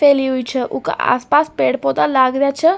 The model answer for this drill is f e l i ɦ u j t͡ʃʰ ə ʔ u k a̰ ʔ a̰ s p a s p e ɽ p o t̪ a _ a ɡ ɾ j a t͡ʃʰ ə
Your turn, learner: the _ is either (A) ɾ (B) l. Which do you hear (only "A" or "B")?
B